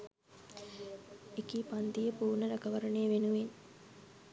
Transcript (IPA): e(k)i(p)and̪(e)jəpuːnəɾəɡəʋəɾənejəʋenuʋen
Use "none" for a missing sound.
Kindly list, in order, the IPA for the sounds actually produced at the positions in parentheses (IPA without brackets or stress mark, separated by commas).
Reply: k, p, i